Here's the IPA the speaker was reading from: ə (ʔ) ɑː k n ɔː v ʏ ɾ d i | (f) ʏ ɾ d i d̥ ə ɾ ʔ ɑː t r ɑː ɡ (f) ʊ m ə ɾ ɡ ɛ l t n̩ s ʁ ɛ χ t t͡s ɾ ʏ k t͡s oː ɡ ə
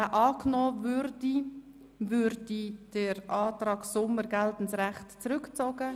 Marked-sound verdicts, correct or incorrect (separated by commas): correct, incorrect, incorrect